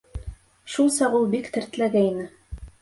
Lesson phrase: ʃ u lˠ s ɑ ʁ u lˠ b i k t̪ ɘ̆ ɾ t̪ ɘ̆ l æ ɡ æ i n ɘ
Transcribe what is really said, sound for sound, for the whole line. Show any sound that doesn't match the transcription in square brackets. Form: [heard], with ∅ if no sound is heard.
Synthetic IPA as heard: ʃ u lˠ s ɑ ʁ u lˠ b i k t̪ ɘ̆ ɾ t̪ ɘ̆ l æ ɡ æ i n ɘ